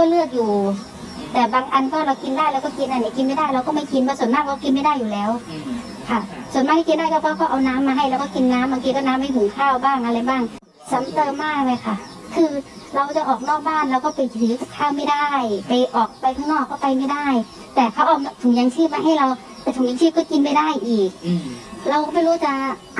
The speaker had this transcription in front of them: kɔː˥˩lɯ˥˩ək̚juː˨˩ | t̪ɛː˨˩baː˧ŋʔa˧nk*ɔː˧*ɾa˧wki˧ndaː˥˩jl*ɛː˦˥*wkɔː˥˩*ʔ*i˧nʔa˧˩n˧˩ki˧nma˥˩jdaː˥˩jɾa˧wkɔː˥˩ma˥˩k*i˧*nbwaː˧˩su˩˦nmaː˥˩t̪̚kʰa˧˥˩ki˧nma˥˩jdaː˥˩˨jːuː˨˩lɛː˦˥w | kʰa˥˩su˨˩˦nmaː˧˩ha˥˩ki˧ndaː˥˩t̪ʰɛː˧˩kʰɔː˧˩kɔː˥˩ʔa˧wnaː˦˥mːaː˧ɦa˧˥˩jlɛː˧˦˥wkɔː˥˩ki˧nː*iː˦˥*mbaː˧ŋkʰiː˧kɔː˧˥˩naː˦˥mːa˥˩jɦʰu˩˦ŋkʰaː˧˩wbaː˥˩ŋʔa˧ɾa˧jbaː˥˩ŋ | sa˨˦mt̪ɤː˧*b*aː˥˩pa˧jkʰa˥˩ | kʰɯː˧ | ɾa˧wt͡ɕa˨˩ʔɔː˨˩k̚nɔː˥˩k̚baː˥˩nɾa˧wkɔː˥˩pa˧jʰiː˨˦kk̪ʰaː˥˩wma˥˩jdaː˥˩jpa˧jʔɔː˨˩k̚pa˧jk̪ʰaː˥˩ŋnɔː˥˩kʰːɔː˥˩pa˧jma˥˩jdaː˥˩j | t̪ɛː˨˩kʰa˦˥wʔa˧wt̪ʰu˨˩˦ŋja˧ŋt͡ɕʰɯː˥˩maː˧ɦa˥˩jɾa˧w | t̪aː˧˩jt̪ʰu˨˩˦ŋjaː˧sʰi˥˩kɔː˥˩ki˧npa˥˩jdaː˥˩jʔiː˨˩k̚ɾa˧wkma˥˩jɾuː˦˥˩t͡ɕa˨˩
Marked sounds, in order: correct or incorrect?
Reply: incorrect, incorrect, incorrect, correct, incorrect, incorrect

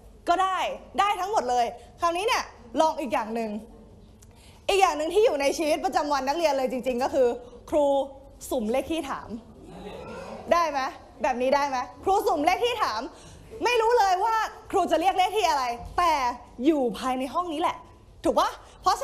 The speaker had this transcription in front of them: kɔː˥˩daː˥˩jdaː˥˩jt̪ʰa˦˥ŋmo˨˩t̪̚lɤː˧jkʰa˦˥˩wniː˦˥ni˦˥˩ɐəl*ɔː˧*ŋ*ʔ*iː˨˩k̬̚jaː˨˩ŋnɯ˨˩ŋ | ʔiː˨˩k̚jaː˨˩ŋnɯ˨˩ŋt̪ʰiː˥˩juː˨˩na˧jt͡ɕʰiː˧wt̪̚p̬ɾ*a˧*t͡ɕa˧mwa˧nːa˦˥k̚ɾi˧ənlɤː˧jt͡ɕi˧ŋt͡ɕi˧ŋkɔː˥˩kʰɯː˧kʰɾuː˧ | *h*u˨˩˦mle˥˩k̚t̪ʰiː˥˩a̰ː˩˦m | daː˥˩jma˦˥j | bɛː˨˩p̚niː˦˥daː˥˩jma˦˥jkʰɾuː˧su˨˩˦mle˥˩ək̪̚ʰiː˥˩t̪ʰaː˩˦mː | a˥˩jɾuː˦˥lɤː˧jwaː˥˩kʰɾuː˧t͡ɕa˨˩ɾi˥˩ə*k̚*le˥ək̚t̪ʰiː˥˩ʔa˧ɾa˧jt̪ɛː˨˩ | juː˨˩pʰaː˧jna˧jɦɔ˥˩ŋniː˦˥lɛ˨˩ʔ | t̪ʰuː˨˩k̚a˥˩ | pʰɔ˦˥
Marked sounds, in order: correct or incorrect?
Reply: correct, correct, correct, incorrect, correct

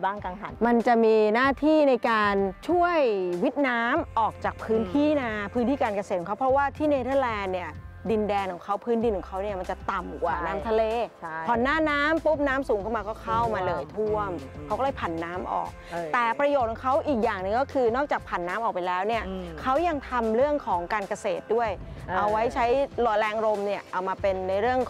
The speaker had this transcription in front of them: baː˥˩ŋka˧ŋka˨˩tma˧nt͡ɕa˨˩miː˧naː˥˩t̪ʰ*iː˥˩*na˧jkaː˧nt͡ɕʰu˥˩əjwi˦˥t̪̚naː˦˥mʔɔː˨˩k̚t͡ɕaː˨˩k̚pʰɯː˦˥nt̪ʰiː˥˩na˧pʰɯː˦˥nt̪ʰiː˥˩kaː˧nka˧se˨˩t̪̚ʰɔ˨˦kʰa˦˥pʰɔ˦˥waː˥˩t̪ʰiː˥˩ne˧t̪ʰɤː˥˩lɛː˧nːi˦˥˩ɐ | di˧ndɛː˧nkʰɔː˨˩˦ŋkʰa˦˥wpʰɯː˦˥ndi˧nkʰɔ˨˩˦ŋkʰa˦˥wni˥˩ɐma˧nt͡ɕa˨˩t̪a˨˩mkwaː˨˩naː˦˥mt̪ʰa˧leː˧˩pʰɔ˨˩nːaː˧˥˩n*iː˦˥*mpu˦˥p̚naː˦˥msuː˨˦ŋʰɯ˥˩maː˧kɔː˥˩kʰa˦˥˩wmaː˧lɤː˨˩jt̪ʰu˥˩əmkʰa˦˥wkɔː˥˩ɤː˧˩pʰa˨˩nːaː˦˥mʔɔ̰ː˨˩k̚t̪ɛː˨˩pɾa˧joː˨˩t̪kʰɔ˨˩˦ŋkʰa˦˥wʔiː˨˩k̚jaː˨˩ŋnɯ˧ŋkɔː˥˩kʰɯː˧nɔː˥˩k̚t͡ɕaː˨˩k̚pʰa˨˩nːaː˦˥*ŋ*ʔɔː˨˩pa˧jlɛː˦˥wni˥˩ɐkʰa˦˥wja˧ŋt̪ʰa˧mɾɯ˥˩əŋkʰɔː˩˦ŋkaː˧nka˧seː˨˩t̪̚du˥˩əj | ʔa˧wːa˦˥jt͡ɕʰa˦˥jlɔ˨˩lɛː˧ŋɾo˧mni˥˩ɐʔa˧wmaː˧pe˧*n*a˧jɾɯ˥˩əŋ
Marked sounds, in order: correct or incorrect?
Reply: correct, incorrect, incorrect, incorrect

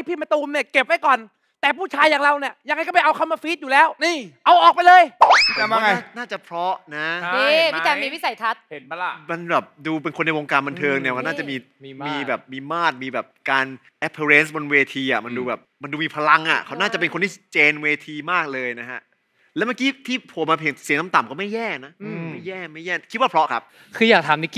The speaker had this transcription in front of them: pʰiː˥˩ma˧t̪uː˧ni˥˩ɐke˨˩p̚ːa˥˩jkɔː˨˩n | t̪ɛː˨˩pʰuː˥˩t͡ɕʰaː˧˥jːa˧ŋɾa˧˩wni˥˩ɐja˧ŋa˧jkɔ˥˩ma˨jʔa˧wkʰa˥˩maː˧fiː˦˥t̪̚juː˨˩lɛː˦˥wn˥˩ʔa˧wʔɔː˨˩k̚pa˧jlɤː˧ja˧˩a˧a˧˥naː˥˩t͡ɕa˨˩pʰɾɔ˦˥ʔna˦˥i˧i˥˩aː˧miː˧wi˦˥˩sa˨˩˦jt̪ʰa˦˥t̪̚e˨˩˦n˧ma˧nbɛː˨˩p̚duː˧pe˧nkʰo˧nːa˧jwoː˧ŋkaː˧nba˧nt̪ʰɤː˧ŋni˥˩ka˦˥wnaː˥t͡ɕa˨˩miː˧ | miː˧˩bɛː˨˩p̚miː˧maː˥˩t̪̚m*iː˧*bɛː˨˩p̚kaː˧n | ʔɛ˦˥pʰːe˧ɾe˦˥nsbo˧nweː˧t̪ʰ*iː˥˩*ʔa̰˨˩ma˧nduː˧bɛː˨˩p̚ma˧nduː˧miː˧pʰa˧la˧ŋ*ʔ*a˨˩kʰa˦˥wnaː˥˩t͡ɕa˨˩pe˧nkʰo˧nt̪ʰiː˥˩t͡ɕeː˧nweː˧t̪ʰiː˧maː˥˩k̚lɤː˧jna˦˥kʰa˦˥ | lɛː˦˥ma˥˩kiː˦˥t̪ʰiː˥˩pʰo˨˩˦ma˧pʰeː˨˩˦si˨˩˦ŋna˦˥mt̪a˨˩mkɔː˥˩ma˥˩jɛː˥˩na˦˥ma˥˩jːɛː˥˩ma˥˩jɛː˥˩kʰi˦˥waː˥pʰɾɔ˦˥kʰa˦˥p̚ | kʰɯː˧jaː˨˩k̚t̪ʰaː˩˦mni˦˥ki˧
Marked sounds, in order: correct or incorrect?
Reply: correct, incorrect, correct

